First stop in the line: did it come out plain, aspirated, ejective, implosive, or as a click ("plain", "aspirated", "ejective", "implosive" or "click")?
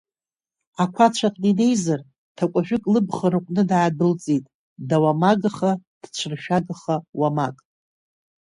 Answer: aspirated